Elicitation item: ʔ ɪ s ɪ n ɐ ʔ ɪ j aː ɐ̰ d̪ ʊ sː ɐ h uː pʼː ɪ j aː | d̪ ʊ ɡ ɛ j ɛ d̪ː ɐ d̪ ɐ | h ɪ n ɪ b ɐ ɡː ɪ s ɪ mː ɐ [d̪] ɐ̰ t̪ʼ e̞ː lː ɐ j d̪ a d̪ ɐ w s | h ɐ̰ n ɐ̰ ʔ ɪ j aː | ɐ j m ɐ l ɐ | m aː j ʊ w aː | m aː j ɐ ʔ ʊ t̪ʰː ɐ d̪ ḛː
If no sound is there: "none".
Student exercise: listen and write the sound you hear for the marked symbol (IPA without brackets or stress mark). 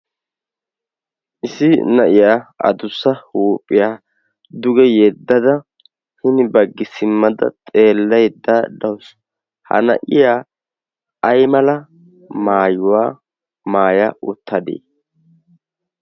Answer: d̪